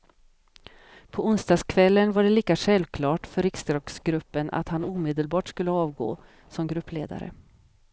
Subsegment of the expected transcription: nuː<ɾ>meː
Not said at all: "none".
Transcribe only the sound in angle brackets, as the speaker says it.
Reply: none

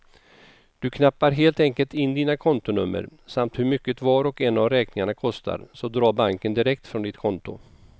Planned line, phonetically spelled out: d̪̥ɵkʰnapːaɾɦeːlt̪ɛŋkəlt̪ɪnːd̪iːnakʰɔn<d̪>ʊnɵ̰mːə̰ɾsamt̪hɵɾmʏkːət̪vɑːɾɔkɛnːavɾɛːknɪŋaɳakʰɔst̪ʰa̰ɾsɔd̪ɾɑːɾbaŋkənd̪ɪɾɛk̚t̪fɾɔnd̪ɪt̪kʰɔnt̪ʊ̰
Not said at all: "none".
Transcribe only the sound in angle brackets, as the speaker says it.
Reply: t̪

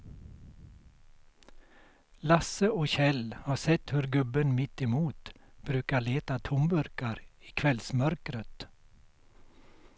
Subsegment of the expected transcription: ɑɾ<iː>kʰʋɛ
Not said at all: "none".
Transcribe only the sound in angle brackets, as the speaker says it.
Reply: iː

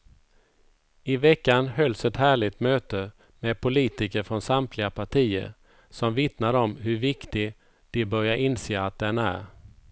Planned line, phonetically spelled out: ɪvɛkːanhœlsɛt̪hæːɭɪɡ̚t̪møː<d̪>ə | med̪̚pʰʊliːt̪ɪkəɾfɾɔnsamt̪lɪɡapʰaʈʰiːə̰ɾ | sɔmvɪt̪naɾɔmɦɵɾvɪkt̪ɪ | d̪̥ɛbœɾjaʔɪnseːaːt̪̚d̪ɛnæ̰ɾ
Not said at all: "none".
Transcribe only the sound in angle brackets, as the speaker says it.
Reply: t̪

